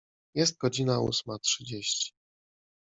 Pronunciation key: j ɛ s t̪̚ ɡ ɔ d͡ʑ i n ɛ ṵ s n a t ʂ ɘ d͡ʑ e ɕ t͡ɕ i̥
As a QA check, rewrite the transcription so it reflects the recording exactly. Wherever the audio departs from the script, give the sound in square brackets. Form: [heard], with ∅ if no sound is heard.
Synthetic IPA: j ɛ s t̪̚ ɡ ɔ d͡ʑ i n [a] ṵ s [m] a t ʂ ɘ d͡ʑ e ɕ t͡ɕ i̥